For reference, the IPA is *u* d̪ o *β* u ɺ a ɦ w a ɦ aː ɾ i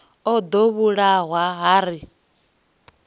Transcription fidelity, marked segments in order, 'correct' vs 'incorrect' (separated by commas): incorrect, correct